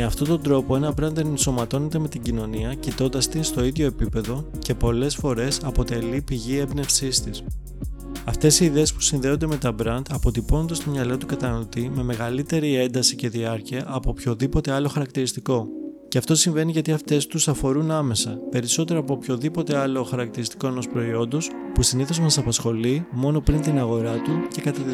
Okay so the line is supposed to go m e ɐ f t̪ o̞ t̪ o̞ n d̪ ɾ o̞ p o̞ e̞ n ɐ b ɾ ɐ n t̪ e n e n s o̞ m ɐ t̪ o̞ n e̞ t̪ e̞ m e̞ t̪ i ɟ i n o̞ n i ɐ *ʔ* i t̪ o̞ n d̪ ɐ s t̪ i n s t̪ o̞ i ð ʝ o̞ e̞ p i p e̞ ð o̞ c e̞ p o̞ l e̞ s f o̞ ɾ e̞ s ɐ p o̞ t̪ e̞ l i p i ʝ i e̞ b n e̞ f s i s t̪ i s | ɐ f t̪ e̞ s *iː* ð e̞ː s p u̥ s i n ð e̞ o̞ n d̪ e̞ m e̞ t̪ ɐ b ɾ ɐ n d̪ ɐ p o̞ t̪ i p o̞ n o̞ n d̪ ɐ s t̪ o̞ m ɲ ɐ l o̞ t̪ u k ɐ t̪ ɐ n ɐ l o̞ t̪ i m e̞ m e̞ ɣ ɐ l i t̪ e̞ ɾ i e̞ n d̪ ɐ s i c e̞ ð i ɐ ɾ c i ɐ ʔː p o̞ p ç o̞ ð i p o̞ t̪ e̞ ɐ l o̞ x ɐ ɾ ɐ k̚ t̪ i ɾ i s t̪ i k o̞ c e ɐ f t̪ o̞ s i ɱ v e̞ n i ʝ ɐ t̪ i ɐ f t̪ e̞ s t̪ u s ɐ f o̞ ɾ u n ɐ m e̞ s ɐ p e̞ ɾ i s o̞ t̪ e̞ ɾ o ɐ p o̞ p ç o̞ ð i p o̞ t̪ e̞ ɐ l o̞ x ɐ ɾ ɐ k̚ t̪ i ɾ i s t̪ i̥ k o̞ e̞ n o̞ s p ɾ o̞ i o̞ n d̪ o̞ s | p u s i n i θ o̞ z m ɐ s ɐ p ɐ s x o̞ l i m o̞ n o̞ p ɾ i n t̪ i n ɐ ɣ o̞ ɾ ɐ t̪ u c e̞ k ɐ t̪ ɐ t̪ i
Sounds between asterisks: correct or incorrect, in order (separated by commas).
incorrect, correct